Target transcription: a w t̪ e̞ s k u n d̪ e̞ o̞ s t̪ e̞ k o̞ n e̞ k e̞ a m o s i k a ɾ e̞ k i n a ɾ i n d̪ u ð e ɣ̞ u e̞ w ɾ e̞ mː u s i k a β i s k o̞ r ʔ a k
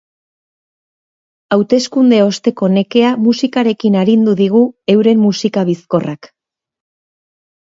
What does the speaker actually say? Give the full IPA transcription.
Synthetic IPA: a w t̪ e̞ s k u n d̪ e̞ o̞ s t̪ e̞ k o̞ n e̞ k e̞ a m u s i k a ɾ e̞ k i n a ɾ i n d̪ u ð i ɣ̞ u e̞ w ɾ e̞ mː u s i k a β i s k o̞ r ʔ a k